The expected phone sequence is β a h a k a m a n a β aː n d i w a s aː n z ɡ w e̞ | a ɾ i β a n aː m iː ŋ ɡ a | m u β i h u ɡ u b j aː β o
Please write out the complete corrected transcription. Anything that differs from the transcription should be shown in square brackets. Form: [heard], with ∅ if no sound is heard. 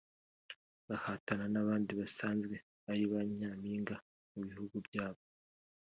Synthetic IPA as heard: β a h a [t] a [n] a n a β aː n d i [β] a s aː n z ɡ w e̞ | a ɾ i β a [ɲ] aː m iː ŋ ɡ a | m u β i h u ɡ u b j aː β o